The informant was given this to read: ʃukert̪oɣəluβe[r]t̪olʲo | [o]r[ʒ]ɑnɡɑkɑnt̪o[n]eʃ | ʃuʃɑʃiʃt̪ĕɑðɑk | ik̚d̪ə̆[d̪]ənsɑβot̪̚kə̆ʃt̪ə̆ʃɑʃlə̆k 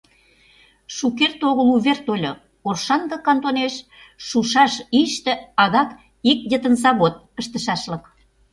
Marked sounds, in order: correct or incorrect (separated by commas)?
correct, correct, incorrect, correct, incorrect